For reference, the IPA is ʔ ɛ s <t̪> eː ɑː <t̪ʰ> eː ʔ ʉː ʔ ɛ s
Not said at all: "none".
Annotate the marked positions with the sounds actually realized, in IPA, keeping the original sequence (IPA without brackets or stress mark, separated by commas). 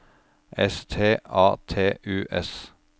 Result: t̪ʰ, t̪ʰ